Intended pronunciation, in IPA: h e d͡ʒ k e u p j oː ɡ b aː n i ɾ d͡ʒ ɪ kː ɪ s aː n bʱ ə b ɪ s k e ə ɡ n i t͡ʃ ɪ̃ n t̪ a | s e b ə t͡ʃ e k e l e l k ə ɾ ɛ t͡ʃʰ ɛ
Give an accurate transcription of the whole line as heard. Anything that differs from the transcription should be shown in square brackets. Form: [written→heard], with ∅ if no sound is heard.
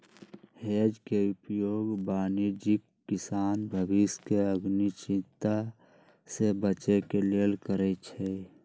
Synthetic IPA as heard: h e d͡ʒ k e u p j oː ɡ b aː n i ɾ d͡ʒ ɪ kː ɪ s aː n bʱ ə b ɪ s k e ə ɡ n i t͡ʃ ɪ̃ n t̪ a | s e b ə t͡ʃ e k e l e l k ə ɾ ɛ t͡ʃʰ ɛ